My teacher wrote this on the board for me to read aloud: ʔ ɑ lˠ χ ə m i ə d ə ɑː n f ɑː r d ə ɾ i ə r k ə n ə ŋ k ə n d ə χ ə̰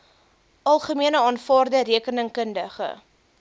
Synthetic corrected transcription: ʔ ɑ lˠ χ ə m i ə n ə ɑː n f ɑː r d ə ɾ i ə k ə n ə ŋ k ə n d ə χ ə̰